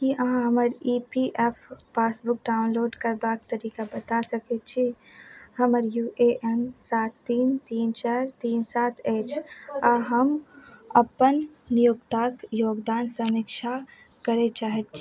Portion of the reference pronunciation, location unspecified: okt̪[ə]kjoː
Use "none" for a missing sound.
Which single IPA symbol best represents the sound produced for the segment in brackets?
a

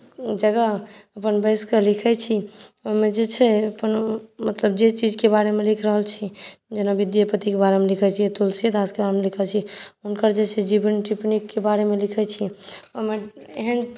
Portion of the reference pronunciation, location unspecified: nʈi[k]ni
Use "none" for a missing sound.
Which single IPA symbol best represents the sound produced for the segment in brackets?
p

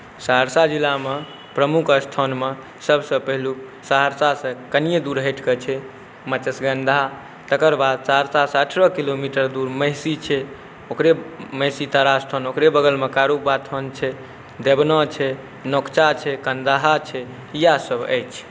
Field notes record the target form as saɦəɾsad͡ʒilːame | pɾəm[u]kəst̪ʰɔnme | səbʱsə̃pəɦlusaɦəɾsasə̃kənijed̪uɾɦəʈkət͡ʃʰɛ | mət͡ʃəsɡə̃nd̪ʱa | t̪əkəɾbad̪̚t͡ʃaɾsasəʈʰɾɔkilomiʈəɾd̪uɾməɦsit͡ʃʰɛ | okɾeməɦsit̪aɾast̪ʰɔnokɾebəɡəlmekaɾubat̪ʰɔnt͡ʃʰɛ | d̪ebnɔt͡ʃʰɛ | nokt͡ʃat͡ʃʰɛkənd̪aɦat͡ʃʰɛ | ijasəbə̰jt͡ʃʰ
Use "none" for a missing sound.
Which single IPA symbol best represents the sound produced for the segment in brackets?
u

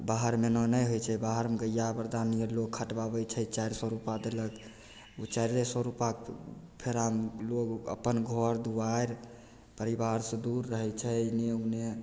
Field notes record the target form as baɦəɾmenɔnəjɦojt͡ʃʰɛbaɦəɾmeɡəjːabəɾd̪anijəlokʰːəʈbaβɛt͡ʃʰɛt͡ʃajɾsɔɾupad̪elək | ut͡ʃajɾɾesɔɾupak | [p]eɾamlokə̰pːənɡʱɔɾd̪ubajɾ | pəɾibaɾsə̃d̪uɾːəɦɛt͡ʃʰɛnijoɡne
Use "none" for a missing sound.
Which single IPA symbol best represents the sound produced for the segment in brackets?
pʰ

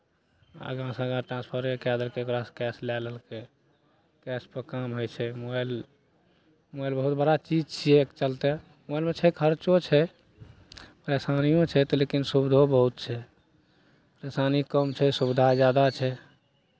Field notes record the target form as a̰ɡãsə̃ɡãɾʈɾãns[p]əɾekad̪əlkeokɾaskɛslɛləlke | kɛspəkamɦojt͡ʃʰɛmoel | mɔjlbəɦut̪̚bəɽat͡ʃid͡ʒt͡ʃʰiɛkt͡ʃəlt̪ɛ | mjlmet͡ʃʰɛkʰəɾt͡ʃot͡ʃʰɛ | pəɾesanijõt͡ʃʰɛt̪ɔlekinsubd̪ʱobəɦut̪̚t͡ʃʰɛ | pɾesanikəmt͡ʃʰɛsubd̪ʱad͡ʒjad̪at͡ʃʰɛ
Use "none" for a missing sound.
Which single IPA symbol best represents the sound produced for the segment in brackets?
pʰ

